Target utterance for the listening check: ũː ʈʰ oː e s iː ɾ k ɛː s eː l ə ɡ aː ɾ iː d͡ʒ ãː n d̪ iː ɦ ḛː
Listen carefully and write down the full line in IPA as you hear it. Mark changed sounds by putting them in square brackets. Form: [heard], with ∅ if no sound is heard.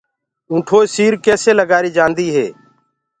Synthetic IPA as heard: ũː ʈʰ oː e s iː ɾ k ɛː s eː l ə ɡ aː ɾ iː d͡ʒ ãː n d̪ iː ɦ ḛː